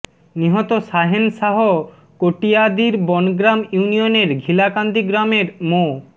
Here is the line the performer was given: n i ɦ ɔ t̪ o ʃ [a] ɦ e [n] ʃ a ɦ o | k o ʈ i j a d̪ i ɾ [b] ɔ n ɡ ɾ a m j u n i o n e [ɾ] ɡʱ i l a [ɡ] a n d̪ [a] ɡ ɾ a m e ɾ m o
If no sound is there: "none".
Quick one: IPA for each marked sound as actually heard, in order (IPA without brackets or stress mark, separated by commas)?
a, n, b, ɾ, k, i